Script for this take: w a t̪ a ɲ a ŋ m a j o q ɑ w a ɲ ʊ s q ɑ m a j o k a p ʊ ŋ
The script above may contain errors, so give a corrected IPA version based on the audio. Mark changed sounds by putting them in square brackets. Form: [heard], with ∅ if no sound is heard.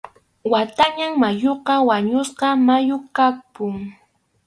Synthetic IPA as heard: w a t̪ a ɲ a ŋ m a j o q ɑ w a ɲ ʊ s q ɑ m a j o k a p ʊ ŋ